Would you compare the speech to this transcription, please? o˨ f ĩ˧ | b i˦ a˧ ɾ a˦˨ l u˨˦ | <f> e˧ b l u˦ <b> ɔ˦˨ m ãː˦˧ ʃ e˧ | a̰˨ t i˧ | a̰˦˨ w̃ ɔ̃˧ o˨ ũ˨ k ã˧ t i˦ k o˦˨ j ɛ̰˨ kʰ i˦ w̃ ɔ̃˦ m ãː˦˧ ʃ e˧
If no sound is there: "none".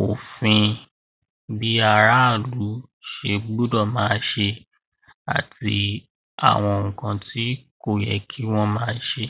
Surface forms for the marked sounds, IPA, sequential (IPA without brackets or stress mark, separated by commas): ʃ, d